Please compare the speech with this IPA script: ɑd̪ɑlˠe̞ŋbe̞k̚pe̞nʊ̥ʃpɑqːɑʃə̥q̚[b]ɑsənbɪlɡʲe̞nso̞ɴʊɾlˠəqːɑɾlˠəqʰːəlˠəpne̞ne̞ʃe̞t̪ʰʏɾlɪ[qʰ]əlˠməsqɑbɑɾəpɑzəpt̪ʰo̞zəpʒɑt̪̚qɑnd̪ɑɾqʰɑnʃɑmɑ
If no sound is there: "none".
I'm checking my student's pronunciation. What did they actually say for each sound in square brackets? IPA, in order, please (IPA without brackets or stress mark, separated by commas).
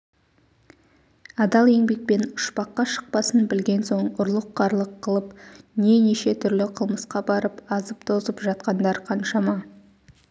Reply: p, qʰ